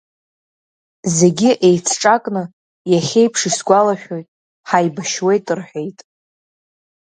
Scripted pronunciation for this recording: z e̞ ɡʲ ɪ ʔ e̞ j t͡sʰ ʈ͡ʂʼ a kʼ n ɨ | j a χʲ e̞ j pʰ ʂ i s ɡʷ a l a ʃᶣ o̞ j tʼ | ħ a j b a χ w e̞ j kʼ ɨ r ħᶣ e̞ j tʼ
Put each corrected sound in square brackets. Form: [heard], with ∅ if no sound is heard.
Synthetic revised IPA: z e̞ ɡʲ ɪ ʔ e̞ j t͡sʰ ʈ͡ʂʼ a kʼ n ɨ | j a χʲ e̞ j pʰ ʂ i s ɡʷ a l a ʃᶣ o̞ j tʼ | ħ a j b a [ʃ] w e̞ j [tʼ] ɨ r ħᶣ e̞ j tʼ